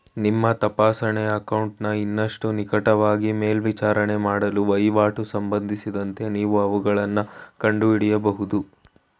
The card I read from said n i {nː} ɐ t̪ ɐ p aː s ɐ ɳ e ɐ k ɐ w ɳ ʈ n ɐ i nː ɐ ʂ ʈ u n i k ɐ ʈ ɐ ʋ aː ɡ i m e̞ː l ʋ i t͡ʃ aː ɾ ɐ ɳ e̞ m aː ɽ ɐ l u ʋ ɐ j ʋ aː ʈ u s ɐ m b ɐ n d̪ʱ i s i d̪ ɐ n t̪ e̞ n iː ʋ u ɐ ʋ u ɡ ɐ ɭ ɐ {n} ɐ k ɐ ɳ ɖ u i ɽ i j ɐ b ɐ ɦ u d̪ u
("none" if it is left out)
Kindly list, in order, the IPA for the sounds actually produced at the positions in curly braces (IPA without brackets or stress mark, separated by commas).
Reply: mː, nː